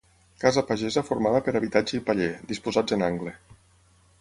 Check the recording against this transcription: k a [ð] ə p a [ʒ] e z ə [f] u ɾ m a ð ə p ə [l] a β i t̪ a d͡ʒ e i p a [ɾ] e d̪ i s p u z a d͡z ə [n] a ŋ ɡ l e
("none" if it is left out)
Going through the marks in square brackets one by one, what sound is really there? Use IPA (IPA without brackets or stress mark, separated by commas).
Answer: z, ʒ, f, ɾ, ʎ, n